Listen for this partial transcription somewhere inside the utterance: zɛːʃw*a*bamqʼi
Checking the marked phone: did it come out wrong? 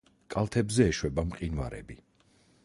yes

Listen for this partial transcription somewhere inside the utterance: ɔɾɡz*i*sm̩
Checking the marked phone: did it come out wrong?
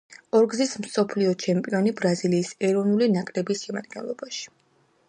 no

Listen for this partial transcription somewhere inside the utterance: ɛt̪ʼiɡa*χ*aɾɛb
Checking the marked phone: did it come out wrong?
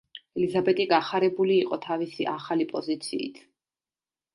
no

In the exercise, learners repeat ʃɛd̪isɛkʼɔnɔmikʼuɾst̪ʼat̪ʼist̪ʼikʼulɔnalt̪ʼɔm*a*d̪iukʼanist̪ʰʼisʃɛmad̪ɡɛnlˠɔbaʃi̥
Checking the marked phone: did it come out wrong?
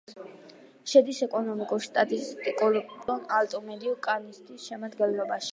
yes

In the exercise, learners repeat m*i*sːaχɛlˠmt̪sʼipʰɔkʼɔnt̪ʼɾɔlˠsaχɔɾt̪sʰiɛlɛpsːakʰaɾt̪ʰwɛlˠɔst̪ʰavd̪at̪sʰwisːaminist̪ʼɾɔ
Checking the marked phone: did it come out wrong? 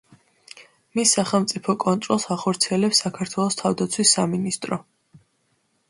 no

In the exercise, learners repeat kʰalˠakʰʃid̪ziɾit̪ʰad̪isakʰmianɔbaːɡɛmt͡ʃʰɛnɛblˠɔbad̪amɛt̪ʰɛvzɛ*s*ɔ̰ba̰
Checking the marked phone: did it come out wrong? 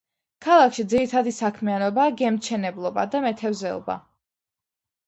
yes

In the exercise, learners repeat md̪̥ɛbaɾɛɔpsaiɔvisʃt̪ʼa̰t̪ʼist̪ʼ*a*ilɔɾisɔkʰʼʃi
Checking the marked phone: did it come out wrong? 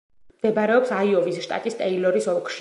yes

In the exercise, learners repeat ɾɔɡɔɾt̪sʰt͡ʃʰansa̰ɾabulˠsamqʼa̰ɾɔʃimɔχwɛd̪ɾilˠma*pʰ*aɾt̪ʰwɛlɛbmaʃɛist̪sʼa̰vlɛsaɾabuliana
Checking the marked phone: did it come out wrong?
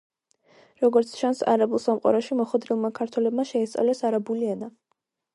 yes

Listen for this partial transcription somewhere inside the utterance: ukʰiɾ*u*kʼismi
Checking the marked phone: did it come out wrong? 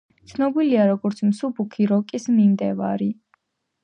yes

